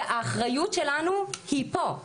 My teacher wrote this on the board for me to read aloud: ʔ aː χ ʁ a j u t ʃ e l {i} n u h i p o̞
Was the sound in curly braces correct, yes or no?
no